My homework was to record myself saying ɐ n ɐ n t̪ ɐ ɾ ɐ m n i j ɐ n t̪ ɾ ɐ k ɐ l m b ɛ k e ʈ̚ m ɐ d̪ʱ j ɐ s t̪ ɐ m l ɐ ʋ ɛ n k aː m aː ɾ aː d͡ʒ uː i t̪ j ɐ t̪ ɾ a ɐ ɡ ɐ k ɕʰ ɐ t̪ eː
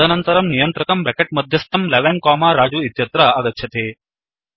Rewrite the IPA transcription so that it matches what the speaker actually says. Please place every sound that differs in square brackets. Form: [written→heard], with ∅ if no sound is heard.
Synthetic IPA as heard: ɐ n ɐ n t̪ ɐ ɾ ɐ m n i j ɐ n t̪ ɾ ɐ k ɐ [l→∅] m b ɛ k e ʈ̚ m ɐ d̪ʱ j ɐ s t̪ ɐ m l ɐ ʋ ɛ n k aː m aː ɾ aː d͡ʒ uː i t̪ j ɐ t̪ ɾ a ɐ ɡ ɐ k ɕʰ ɐ t̪ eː